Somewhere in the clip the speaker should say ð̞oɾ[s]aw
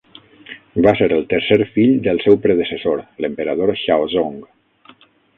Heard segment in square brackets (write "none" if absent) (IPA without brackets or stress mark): ʃ